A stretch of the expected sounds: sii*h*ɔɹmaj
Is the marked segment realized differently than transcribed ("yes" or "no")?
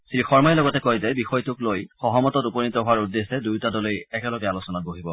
yes